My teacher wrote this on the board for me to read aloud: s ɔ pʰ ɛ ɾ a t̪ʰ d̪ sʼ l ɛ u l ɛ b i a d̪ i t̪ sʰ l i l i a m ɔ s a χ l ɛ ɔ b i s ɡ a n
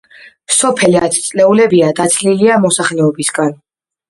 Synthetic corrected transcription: s ɔ pʰ ɛ l a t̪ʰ t̪ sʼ l ɛ u l ɛ b i a d̪ a t̪ sʰ l i l i a m ɔ s a χ l ɛ ɔ b i s ɡ a n